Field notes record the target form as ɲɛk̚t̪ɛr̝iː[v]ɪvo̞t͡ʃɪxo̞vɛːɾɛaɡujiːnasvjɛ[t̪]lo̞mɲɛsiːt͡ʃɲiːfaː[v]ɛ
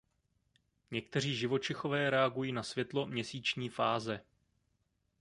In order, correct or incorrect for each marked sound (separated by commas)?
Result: incorrect, correct, incorrect